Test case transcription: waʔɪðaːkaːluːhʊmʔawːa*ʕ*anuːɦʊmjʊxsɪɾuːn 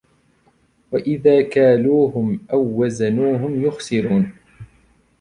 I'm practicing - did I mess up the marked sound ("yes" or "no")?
yes